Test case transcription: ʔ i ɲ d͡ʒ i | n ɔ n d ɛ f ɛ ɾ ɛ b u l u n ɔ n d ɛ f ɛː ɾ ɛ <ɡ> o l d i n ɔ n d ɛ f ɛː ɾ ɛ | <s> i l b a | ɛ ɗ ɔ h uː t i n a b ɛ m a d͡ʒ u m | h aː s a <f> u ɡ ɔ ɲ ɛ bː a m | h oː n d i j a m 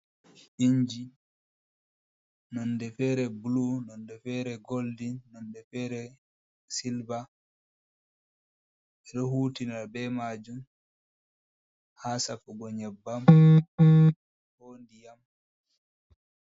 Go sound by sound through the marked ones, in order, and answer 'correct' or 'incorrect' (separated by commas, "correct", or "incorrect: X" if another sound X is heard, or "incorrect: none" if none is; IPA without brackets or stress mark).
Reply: correct, correct, correct